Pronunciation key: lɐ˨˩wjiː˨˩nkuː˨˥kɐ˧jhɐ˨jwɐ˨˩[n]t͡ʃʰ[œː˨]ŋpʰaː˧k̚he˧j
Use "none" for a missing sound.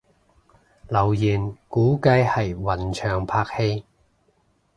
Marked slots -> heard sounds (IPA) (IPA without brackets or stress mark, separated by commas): n, œː˨